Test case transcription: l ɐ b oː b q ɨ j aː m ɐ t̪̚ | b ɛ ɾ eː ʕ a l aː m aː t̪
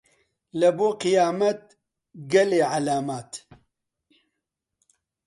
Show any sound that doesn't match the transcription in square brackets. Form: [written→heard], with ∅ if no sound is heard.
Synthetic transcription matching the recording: l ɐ b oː [b→∅] q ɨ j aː m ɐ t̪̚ | [b→ɡ] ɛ [ɾ→l] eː ʕ a l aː m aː t̪